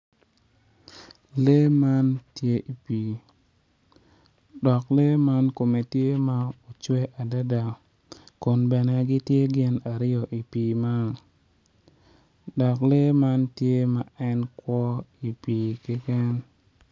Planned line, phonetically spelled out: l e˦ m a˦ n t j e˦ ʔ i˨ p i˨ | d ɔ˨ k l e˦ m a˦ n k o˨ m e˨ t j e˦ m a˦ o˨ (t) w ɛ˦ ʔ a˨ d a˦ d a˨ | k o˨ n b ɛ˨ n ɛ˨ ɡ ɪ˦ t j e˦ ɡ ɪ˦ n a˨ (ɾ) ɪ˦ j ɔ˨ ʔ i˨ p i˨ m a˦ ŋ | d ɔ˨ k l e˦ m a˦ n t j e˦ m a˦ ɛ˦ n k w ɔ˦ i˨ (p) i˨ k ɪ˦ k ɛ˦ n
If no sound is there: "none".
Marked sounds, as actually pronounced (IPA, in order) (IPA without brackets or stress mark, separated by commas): t͡ʃ, ɾ, p